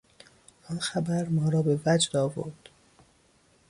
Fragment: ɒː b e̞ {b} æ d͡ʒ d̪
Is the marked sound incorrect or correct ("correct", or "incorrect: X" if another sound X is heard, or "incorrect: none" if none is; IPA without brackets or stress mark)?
incorrect: v